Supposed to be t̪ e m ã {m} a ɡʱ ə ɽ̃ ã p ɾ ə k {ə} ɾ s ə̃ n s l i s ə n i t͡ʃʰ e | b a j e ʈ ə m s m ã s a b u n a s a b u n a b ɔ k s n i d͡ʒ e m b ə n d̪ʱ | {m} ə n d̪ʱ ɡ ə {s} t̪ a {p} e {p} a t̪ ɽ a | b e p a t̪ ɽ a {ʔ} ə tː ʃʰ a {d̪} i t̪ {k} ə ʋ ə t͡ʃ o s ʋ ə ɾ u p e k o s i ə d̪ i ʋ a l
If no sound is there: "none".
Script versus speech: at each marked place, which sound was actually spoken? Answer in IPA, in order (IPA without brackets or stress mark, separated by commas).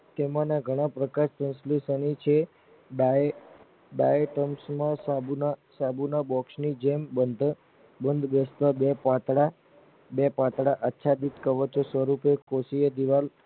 n, a, b, s, b, p, ʔ, d̪, k